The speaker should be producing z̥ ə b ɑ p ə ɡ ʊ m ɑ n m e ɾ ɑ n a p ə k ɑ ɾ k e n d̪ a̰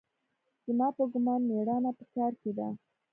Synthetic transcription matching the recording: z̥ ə m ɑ p ə ɡ ʊ m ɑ n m e ɽ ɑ n a p ə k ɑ ɾ k e d̪ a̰